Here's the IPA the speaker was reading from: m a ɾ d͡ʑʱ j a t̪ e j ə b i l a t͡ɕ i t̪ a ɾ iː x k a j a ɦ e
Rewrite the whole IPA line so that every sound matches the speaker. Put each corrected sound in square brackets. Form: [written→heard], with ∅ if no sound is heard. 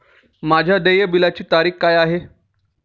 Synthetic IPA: m a [ɾ→∅] d͡ʑʱ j a [t̪→d̪] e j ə b i l a t͡ɕ [i→iː] t̪ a ɾ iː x k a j a ɦ e